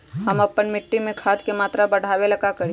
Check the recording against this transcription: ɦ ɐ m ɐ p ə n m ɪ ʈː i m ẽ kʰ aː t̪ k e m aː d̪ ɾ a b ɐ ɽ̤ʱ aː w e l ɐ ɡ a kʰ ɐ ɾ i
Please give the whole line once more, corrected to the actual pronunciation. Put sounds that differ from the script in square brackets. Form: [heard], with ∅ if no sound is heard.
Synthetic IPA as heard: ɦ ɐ m ɐ p ə n m ɪ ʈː i m ẽ kʰ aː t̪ k e m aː [t̪] ɾ a b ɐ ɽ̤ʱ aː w e l ɐ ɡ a [k] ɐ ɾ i